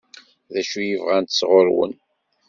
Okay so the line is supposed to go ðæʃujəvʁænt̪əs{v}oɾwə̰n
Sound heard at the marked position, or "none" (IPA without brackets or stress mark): ʁ